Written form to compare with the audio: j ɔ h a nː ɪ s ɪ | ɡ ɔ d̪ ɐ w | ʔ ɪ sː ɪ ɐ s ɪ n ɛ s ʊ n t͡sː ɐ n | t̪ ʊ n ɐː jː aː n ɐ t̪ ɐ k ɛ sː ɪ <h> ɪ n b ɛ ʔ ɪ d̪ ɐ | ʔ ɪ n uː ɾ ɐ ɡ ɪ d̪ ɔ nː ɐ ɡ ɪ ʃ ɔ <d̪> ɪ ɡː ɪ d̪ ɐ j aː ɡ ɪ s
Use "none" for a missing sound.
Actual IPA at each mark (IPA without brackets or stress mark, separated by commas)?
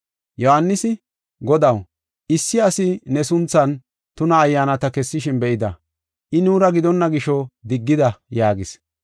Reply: ʃ, d̪